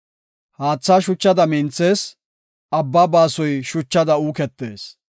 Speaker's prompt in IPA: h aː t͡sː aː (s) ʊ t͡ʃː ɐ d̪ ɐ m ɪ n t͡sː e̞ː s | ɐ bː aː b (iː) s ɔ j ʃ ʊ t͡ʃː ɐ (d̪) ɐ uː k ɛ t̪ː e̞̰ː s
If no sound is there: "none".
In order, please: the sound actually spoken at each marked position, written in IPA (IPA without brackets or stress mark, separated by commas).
ʃ, aː, d̪